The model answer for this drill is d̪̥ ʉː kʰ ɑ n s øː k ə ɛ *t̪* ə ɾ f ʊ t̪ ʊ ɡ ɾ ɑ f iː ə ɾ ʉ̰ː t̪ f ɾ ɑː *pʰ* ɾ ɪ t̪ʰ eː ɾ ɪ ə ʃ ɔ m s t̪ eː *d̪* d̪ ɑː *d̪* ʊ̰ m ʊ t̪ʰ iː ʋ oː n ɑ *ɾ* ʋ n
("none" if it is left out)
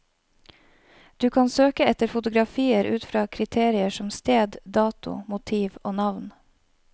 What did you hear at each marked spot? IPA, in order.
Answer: t̪, kʰ, d̪, t̪, none

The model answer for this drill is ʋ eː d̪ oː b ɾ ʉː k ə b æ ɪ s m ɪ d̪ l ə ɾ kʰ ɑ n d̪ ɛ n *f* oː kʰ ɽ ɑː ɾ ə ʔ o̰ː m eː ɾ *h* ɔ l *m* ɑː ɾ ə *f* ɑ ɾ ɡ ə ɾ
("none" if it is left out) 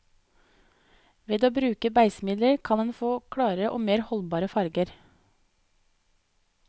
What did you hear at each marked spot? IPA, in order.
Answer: f, h, b, f

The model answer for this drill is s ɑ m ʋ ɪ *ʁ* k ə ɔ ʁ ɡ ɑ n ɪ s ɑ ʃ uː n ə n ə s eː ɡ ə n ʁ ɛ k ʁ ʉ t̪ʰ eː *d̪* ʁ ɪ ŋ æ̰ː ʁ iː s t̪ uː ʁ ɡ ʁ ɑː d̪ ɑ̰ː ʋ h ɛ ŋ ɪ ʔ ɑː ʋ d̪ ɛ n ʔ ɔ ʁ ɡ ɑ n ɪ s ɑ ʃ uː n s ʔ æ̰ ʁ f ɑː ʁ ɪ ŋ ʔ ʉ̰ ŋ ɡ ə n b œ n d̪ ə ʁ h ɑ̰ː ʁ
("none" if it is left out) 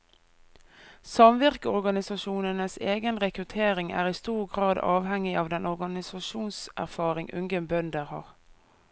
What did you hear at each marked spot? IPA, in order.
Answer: ʁ, none

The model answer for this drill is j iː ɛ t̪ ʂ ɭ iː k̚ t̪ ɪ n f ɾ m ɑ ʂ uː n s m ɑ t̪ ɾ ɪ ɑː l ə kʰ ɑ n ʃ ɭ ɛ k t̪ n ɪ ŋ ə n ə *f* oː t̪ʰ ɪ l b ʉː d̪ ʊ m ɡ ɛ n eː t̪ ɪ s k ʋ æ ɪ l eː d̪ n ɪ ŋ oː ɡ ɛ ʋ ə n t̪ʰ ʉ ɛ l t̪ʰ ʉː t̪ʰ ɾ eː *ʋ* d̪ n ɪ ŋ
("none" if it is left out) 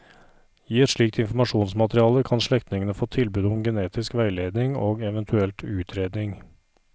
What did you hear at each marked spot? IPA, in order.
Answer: f, none

